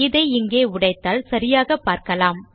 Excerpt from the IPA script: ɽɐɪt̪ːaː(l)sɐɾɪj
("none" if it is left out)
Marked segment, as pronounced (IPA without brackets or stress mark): l